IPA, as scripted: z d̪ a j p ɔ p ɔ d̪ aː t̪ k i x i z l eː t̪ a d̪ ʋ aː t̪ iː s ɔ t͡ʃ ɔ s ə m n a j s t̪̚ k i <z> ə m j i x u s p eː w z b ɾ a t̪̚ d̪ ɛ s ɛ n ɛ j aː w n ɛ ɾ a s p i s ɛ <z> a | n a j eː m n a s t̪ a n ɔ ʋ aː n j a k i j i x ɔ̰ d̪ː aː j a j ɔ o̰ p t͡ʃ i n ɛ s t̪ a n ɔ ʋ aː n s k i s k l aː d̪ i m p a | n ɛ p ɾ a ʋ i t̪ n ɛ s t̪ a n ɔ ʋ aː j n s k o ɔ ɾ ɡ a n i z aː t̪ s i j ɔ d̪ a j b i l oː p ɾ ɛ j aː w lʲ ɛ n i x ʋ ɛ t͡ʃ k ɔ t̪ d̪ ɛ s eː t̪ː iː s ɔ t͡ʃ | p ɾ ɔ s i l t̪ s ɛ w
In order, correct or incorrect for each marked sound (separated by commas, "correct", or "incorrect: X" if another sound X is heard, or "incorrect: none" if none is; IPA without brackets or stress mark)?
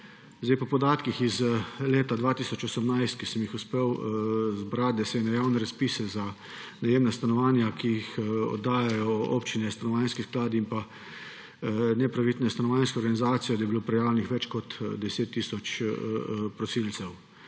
incorrect: s, correct